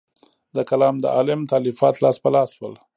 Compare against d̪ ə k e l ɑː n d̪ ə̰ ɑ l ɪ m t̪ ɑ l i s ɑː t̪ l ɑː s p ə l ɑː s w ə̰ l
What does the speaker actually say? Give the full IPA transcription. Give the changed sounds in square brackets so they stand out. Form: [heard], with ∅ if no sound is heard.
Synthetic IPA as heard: d̪ ə k [a] l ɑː [m] d̪ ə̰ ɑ l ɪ m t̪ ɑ l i [f] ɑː t̪ l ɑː s p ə l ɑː s w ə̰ l